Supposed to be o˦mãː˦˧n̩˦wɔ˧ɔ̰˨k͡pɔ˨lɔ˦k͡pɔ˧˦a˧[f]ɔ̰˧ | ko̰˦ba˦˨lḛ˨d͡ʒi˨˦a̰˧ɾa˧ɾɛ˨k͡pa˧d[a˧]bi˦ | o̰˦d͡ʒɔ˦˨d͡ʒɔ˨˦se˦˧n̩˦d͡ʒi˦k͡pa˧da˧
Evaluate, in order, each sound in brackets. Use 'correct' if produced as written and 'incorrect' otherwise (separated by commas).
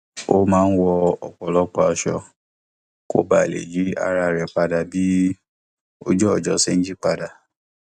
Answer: incorrect, correct